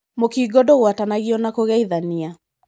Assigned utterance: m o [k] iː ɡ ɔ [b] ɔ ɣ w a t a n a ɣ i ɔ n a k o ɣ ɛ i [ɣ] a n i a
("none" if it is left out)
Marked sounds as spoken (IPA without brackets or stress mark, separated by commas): k, d, ð